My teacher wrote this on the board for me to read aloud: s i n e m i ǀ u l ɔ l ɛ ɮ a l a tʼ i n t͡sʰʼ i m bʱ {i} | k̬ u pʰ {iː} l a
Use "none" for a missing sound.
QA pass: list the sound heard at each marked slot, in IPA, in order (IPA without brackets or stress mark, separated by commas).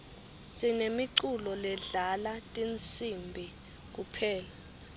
i, ɛː